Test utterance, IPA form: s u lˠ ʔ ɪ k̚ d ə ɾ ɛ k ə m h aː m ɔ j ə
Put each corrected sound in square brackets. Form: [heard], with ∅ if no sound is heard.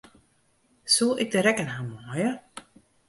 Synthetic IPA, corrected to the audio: s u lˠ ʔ ɪ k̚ d ə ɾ ɛ k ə [n] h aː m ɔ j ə